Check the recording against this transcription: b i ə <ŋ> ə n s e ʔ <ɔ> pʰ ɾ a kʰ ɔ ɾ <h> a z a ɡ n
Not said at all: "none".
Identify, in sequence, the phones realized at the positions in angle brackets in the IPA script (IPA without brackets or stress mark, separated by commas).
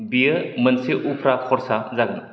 m, u, s